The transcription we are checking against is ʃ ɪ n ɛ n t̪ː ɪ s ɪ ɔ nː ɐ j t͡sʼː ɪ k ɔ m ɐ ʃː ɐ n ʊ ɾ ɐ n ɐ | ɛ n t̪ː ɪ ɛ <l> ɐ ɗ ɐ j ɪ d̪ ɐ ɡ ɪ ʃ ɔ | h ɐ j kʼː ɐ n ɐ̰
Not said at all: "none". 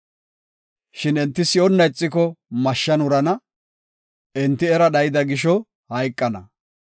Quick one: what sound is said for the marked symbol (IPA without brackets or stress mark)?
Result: ɾ